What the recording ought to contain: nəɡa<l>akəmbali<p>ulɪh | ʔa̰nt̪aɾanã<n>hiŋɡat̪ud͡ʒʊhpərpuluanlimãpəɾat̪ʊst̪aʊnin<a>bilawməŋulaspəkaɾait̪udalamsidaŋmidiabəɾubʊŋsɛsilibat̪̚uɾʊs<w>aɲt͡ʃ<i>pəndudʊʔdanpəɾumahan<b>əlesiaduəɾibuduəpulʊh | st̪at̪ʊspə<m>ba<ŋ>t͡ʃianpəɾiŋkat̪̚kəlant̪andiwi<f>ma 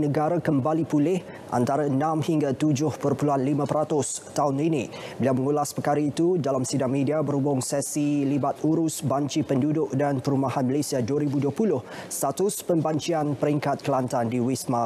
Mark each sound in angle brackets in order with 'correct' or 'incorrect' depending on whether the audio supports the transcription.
incorrect, correct, incorrect, incorrect, incorrect, correct, incorrect, correct, incorrect, incorrect

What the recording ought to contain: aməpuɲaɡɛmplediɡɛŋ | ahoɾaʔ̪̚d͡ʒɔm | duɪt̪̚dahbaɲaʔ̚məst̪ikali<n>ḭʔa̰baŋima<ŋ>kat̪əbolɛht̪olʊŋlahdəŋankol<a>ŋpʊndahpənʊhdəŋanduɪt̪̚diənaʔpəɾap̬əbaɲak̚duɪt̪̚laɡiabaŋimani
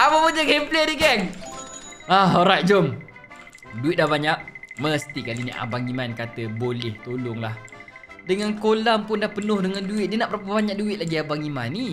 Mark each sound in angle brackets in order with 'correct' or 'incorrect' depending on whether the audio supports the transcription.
correct, incorrect, correct

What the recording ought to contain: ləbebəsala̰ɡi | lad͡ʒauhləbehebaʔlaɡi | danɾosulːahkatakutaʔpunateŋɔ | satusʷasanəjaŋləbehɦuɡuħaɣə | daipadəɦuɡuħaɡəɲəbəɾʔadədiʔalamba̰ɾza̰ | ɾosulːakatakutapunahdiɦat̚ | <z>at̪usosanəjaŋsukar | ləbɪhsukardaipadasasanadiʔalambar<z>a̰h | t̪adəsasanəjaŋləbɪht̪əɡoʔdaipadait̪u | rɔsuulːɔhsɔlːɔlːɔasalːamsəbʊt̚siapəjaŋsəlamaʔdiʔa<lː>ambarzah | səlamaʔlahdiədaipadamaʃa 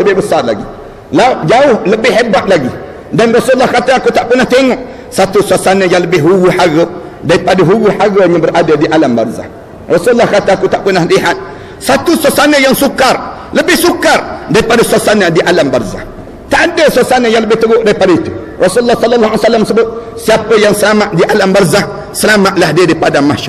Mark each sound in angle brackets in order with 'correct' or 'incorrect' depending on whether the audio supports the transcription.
incorrect, correct, incorrect

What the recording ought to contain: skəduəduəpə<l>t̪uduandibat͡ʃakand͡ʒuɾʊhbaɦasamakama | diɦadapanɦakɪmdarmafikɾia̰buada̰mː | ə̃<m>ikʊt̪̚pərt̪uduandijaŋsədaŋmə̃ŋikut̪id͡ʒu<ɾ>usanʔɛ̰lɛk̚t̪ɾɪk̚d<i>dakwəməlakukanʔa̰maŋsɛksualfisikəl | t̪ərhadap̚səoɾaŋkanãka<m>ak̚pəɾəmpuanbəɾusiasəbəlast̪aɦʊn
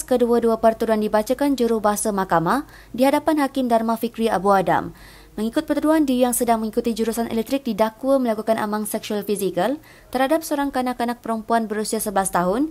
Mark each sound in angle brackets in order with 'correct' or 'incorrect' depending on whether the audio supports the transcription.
incorrect, incorrect, correct, correct, incorrect

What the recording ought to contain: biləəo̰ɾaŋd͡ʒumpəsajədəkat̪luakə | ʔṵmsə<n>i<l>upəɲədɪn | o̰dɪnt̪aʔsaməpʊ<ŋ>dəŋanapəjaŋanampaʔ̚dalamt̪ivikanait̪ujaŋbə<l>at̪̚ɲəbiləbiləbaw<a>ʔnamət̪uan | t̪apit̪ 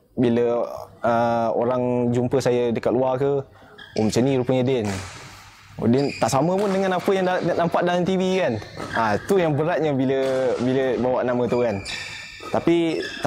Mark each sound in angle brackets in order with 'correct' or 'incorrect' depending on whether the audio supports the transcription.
correct, incorrect, incorrect, incorrect, correct

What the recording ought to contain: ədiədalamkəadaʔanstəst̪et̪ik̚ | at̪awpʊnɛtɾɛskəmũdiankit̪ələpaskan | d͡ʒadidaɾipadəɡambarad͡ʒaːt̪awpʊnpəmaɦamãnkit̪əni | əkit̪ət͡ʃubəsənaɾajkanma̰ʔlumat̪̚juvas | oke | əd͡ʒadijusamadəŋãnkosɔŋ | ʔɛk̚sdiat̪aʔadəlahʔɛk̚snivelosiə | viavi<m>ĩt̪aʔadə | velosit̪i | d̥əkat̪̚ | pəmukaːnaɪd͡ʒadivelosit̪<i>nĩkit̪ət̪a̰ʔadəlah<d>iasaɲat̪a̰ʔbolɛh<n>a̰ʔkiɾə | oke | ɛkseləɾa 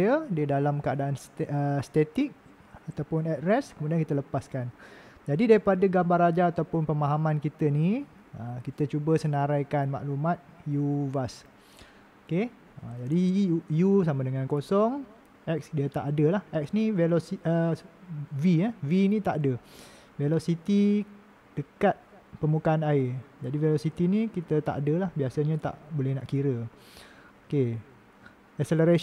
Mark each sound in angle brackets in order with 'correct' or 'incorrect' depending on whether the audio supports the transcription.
incorrect, correct, incorrect, correct

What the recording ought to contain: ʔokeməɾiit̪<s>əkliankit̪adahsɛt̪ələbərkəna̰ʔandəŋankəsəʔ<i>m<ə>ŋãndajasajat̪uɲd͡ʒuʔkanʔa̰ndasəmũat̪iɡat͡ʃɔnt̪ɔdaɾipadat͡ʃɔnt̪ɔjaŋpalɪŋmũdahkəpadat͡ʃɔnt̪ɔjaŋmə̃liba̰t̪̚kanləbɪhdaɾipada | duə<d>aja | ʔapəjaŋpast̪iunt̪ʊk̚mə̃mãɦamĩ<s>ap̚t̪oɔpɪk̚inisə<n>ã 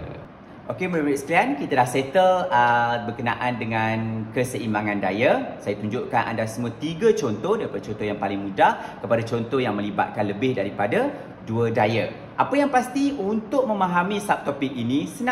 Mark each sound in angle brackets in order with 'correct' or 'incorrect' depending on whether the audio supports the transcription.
correct, correct, incorrect, correct, correct, correct

